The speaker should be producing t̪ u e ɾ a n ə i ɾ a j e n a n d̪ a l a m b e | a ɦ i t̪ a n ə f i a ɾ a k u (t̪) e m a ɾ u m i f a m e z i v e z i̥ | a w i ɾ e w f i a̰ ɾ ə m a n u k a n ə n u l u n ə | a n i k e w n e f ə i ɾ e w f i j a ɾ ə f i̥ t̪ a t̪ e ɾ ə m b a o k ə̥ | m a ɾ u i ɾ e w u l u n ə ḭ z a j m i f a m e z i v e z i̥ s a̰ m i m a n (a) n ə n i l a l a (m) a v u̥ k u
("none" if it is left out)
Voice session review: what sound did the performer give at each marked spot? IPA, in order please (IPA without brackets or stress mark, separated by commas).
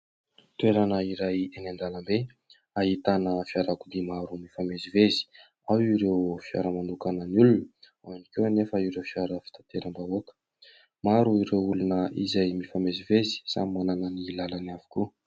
d̪, a, n